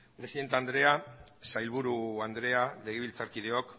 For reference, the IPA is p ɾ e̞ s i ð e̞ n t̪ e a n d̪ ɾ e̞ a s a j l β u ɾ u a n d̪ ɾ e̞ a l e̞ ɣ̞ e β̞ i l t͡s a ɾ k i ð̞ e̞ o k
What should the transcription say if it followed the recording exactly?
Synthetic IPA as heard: p ɾ e̞ s i ð e̞ n t̪ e a n d̪ ɾ e̞ a s a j l β u ɾ u a n d̪ ɾ e̞ a l e̞ ɣ̞ e β̞ i l t͡s a ɾ k i ð̞ e̞ o k